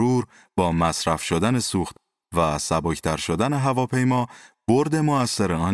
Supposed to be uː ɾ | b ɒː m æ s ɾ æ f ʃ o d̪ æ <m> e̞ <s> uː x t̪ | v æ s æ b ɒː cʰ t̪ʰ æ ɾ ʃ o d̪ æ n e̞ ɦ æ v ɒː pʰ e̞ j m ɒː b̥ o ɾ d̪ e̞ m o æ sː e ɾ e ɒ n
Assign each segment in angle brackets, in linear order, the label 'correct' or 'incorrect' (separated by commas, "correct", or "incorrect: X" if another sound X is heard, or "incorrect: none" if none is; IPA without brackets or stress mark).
incorrect: n, correct